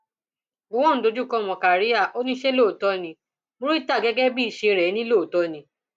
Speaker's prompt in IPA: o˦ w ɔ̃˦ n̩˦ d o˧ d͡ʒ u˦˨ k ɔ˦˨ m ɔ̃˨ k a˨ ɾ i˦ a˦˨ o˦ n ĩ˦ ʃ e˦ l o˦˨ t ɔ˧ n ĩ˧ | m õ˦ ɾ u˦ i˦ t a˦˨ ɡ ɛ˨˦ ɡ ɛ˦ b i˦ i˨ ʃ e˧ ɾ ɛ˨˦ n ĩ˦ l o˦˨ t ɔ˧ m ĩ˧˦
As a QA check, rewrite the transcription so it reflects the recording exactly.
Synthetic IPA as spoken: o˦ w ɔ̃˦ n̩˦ d o˧ d͡ʒ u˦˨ k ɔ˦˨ m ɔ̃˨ k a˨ ɾ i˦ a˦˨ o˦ n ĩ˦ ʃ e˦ l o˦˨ t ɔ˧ n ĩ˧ | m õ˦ ɾ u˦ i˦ t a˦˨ ɡ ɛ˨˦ ɡ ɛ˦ b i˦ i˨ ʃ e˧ ɾ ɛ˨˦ n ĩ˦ l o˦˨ t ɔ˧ n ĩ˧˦

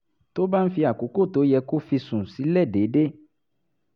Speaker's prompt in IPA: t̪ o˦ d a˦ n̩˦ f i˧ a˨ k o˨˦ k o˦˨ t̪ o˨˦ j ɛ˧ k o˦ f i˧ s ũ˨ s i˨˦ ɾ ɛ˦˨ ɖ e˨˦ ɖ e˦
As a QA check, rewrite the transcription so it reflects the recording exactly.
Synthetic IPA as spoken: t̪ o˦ b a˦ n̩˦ f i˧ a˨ k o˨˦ k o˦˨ t̪ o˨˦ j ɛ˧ k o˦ f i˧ s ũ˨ s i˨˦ l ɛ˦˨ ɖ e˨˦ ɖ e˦

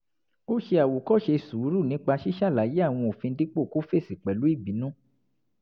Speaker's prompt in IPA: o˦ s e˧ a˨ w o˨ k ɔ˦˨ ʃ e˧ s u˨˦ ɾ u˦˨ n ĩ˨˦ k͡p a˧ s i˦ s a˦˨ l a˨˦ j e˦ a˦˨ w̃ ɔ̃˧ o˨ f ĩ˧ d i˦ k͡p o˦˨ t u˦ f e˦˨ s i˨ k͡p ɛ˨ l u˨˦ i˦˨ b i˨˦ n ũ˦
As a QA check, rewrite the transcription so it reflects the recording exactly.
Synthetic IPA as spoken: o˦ ʃ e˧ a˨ w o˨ k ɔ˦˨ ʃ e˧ s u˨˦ ɾ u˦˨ n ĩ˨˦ k͡p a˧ ʃ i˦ ʃ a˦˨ l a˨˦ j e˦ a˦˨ w̃ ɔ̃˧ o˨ f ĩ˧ d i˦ k͡p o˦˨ k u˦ f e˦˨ s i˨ k͡p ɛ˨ l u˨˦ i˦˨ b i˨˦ n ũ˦

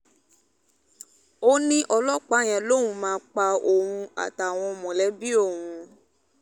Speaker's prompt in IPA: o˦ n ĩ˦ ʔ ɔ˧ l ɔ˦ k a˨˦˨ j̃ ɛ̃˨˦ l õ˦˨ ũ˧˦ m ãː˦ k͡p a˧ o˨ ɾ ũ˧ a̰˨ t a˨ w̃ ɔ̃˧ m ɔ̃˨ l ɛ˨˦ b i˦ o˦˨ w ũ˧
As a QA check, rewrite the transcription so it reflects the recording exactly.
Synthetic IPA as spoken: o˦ n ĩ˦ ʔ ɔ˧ l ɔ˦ k͡p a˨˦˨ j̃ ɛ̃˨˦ l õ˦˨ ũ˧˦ m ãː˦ k͡p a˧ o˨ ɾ ũ˧ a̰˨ t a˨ w̃ ɔ̃˧ m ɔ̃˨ l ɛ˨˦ b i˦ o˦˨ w ũ˧

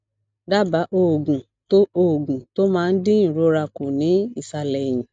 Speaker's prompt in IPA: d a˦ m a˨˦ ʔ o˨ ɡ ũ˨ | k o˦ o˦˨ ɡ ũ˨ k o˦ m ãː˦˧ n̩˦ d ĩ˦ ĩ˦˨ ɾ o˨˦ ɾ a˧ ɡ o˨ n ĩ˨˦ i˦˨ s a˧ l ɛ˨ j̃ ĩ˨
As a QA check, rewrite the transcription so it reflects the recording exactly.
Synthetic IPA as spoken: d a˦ b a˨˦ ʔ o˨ ɡ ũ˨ | t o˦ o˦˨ ɡ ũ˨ t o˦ m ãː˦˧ n̩˦ d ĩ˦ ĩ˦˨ ɾ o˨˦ ɾ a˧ k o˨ n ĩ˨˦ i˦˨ s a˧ l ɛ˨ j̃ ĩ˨

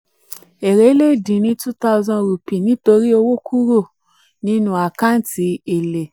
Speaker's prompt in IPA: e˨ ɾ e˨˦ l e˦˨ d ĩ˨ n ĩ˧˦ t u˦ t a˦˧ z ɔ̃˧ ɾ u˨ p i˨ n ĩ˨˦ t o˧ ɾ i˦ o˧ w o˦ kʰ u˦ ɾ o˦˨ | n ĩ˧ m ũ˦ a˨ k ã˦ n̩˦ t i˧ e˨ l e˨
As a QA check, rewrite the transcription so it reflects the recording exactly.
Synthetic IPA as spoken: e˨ ɾ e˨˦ l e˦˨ d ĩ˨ n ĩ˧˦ t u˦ t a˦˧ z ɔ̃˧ ɾ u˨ p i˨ n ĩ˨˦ t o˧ ɾ i˦ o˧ w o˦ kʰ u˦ ɾ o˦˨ | n ĩ˧ n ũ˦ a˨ k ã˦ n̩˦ t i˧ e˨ l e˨

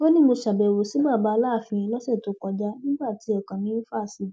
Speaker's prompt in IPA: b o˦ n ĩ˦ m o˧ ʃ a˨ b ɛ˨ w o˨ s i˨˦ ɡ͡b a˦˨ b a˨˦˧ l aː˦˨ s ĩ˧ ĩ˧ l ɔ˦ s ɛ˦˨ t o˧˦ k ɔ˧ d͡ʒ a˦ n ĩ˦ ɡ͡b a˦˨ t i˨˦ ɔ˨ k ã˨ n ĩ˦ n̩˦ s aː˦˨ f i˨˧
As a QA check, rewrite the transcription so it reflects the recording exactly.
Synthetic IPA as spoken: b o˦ n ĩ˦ m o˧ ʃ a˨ b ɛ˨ w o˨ s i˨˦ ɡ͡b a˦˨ b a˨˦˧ l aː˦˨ f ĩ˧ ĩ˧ l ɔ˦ s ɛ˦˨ t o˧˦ k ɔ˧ d͡ʒ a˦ n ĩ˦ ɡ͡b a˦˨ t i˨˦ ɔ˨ k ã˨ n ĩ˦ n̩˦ f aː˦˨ s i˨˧

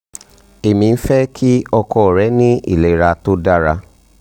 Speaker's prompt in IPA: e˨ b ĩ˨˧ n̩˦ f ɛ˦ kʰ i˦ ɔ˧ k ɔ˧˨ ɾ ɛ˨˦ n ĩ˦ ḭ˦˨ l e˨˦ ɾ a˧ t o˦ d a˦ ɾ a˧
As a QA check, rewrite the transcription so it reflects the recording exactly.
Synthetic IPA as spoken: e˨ m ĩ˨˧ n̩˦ f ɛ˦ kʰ i˦ ɔ˧ k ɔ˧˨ ɾ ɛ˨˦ n ĩ˦ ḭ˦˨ l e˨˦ ɾ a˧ t o˦ d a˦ ɾ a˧

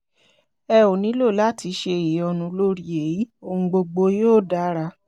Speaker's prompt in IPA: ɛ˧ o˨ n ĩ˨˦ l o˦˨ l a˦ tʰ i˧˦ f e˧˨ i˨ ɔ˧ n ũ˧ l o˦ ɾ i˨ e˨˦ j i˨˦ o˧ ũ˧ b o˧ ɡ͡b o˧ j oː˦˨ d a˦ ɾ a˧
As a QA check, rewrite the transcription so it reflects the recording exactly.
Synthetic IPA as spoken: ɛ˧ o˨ n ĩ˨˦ l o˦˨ l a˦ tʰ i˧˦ ʃ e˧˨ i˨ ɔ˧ n ũ˧ l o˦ ɾ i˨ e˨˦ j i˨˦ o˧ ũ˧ ɡ͡b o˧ ɡ͡b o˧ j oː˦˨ d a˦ ɾ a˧

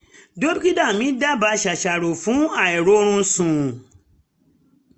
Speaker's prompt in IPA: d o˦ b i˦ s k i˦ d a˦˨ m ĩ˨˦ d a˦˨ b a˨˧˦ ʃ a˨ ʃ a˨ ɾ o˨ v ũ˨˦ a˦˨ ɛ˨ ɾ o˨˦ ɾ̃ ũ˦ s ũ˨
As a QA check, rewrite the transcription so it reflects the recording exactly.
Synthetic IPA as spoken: d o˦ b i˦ k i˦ d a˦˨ m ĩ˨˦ d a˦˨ b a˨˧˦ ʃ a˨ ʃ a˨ ɾ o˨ f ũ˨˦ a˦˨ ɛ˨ ɾ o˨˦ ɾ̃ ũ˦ s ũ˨

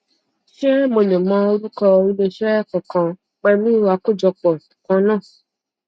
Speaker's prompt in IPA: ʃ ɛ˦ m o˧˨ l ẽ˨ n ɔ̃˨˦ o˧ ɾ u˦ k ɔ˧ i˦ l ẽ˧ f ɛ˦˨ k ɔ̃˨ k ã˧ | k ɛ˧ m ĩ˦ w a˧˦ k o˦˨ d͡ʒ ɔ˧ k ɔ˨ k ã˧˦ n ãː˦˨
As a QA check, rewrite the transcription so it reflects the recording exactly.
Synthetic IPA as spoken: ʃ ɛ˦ m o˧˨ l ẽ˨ m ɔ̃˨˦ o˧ ɾ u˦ k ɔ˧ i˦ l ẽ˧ ʃ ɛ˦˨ k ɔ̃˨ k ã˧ | k͡p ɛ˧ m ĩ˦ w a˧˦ k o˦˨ d͡ʒ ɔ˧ k͡p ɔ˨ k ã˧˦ n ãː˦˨

